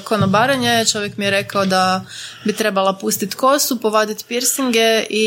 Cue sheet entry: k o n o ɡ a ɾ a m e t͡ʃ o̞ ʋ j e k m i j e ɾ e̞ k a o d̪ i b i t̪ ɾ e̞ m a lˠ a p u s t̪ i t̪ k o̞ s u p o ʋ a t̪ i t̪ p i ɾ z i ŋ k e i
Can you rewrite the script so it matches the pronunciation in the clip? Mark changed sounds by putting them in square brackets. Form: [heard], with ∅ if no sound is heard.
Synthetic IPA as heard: k o n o [b] a ɾ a [ɲ] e t͡ʃ o̞ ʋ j e k m i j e ɾ e̞ k a o d̪ [a] b i t̪ ɾ e̞ [b] a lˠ a p u s t̪ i t̪ k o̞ s u p o ʋ a [d̪] i t̪ p i ɾ [s] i ŋ [ɡ] e i